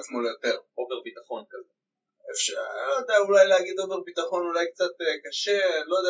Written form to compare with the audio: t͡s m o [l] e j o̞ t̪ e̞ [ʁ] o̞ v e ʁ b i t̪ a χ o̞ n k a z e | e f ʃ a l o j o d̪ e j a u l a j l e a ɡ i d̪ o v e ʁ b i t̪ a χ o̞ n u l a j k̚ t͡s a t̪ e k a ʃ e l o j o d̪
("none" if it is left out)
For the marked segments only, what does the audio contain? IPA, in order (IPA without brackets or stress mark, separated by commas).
l, ʁ